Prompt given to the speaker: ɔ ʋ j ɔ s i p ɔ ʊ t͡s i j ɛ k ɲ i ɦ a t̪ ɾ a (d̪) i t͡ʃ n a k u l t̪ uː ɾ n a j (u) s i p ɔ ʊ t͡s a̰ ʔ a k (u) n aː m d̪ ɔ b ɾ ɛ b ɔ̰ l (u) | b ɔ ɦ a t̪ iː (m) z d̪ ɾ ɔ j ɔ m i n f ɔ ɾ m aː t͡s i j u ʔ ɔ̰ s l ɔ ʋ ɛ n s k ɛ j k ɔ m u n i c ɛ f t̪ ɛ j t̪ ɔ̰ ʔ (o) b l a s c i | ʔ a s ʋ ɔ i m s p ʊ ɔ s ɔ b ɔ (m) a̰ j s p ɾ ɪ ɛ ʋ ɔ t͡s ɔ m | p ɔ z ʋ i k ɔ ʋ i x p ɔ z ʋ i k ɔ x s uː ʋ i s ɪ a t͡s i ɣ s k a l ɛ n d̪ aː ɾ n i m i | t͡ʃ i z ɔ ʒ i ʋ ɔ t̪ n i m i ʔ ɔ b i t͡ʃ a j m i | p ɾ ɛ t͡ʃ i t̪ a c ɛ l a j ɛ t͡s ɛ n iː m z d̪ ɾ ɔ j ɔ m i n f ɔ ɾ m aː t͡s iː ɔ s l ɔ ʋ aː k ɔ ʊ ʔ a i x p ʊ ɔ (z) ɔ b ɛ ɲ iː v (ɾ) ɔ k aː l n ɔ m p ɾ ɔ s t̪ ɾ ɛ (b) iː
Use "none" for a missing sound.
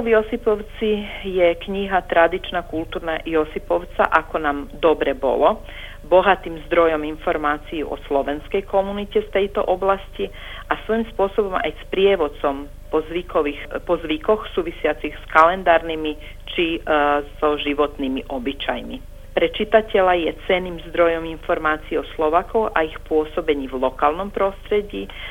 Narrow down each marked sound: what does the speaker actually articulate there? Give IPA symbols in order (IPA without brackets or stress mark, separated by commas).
d̪, ɔ, ɔ, ɔ, m, ɔ, m, s, l, ɟ